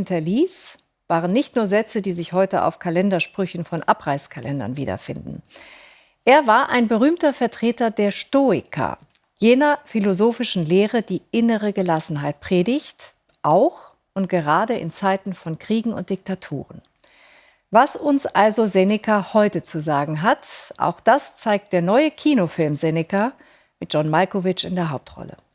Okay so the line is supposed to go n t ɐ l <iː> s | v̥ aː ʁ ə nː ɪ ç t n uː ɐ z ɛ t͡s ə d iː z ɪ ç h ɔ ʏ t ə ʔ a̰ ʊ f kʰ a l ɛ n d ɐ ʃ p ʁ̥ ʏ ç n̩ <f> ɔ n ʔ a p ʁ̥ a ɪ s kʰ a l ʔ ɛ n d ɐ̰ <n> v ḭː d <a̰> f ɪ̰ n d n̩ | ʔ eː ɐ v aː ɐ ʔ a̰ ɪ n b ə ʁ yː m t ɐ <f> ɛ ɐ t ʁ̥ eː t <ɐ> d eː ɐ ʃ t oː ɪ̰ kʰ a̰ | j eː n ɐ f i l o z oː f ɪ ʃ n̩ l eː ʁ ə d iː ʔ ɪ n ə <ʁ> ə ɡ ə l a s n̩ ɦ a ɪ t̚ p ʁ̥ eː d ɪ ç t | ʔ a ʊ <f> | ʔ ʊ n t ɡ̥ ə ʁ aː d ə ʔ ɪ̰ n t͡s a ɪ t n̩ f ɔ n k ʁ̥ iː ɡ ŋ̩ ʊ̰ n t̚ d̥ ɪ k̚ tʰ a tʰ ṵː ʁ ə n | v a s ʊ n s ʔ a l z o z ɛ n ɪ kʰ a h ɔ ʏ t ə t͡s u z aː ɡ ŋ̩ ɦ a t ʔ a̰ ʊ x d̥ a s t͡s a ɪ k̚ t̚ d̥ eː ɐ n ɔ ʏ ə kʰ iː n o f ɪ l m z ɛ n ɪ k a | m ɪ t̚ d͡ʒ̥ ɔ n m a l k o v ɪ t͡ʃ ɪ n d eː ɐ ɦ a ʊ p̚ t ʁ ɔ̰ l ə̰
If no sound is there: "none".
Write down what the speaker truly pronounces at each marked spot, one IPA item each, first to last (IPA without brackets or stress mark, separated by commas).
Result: iː, f, n, ɐ̰, f, ɐ, ʁ, x